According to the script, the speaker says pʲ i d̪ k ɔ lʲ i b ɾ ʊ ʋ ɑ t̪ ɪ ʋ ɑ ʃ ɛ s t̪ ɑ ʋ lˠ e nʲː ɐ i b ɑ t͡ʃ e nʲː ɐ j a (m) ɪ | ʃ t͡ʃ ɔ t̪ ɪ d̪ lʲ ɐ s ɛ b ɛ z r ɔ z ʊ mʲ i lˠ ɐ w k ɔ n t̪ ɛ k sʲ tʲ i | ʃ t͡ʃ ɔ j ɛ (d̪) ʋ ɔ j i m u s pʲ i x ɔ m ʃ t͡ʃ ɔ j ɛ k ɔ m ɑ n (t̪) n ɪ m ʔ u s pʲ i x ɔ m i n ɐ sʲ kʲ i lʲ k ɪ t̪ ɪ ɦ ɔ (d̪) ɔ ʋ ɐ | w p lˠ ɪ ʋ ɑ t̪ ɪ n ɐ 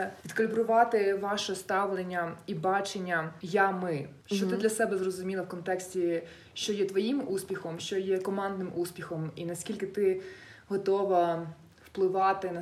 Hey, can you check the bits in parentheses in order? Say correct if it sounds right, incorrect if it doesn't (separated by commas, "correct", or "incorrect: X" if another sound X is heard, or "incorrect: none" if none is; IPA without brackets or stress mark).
correct, incorrect: t̪, incorrect: d̪, incorrect: t̪